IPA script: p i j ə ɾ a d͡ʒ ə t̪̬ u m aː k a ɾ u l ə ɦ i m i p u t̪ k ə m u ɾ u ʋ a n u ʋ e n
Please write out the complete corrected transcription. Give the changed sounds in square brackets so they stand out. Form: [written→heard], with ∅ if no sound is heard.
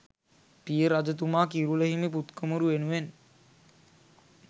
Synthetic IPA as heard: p i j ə ɾ a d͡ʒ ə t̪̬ u m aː k [a→i] ɾ u l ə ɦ i m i p u t̪ k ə m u ɾ u ʋ [a→e] n u ʋ e n